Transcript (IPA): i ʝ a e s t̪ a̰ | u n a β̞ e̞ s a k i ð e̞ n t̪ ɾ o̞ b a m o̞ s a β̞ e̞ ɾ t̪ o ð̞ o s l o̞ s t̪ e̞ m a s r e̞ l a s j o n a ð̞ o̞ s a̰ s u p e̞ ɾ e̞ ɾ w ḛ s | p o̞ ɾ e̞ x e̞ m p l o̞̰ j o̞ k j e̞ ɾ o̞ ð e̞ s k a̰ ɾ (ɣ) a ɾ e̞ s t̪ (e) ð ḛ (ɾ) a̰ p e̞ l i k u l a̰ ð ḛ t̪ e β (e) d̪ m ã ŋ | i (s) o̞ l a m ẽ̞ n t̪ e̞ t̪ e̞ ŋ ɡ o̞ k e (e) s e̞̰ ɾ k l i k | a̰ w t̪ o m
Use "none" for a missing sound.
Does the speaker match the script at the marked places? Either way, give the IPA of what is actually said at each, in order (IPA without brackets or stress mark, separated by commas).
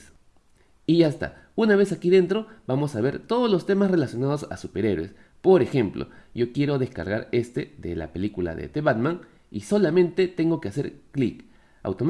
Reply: ɣ, e, l, a, s, a